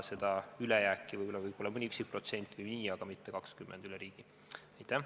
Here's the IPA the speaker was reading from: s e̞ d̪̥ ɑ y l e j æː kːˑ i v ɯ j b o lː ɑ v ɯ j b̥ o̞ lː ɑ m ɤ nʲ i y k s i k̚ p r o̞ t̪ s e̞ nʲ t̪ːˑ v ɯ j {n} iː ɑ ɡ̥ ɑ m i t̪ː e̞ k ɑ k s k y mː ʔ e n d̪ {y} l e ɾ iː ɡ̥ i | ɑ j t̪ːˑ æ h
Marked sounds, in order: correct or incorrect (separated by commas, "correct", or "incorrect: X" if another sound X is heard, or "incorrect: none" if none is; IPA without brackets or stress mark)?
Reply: correct, correct